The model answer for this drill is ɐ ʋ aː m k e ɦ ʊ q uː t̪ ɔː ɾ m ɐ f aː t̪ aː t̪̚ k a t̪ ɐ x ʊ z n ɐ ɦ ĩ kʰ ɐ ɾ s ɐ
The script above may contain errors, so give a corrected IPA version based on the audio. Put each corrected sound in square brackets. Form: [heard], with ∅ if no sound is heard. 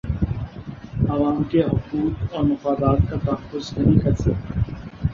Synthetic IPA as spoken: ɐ ʋ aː m k e ɦ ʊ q uː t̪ ɔː ɾ m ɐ f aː [d̪] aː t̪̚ k a t̪ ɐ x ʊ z n ɐ ɦ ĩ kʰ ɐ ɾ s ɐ